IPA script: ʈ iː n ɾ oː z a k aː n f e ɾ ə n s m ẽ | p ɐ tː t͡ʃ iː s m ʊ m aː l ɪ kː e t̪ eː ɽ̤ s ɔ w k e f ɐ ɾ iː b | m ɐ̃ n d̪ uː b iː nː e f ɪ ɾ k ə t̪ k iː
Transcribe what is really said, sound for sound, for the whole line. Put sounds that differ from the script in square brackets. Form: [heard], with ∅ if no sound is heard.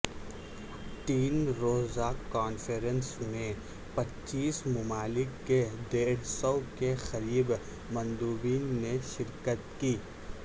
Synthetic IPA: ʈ iː n ɾ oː z a k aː n f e ɾ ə n s m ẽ | p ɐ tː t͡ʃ iː s m ʊ m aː l ɪ kː e [d̪] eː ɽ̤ s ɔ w k e [x] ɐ ɾ iː b | m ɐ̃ n d̪ uː b iː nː e [ʃ] ɪ ɾ k ə t̪ k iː